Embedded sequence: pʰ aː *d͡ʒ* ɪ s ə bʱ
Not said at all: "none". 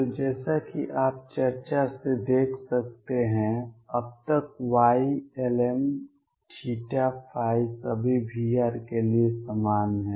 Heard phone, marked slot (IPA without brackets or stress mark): none